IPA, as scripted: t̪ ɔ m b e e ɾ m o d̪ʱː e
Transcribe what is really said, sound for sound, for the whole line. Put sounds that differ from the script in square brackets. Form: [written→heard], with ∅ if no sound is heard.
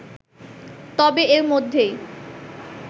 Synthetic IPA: t̪ ɔ [m→∅] b e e ɾ m o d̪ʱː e